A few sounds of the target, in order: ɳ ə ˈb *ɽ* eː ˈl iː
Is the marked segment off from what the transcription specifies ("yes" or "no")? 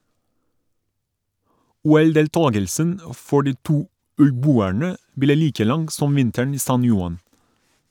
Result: yes